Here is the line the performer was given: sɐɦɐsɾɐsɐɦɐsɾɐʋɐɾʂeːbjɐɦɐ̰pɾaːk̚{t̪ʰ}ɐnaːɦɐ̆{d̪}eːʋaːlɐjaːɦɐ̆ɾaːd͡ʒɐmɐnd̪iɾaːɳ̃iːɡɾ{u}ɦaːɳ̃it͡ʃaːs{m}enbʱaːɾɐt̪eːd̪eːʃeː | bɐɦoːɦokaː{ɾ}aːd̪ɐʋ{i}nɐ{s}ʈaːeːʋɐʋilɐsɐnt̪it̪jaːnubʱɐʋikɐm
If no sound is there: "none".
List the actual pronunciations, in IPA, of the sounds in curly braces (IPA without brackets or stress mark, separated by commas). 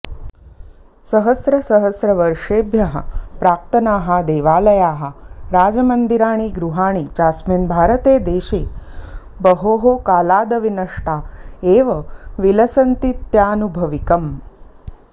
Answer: t̪, d̪, u, m, l, i, ʂ